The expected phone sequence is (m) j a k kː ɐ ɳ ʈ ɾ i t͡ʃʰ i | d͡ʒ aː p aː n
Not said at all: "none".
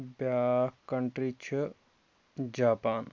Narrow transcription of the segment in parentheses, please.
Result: b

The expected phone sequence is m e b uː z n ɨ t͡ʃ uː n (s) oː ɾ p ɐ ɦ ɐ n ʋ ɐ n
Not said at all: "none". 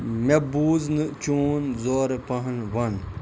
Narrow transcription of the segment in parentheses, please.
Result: z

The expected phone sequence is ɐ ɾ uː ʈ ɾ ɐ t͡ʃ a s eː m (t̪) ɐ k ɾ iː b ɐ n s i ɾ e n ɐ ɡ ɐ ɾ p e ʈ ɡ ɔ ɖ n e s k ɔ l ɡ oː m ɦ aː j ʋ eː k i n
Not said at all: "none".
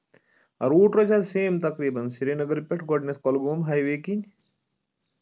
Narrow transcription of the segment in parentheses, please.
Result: t̪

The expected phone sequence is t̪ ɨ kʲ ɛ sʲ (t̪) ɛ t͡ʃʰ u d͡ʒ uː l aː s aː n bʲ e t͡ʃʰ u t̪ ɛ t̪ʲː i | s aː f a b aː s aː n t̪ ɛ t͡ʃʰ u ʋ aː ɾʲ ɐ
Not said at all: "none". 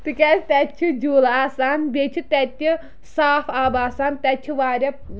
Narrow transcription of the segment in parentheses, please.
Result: t̪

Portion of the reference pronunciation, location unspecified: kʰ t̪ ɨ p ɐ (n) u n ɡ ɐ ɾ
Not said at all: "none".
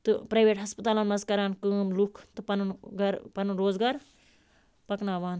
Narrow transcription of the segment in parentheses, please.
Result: n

